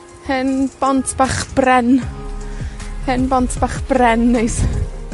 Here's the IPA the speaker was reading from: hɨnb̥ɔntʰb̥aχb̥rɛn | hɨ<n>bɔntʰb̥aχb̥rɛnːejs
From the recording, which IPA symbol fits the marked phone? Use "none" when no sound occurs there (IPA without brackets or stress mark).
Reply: n